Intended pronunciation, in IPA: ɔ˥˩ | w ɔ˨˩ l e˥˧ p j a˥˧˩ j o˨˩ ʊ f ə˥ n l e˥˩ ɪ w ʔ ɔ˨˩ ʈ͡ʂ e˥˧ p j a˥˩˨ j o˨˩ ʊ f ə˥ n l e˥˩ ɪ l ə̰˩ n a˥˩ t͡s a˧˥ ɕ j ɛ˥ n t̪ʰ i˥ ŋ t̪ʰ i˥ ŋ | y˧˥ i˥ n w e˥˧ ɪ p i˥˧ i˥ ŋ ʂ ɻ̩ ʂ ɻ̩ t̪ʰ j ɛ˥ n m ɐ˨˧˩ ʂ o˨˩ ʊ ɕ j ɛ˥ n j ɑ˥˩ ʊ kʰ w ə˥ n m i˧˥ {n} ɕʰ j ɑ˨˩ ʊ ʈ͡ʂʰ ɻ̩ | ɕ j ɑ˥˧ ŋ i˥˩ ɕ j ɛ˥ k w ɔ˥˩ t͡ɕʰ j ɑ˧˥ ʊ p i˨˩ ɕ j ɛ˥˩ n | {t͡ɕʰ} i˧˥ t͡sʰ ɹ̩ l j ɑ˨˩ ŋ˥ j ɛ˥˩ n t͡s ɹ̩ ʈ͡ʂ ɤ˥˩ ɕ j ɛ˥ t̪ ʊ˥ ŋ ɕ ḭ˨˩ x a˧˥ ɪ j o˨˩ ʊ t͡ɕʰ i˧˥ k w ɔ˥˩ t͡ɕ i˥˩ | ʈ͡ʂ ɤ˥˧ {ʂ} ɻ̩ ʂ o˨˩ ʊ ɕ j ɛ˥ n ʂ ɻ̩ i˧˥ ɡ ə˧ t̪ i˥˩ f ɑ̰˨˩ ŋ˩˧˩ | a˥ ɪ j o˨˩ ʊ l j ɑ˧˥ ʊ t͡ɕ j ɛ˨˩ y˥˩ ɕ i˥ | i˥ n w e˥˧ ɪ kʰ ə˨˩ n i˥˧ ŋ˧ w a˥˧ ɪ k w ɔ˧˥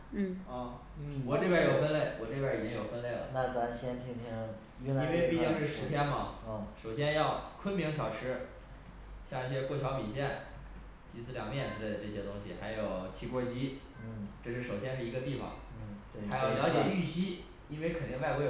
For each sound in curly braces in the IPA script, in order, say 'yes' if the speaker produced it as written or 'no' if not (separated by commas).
no, no, yes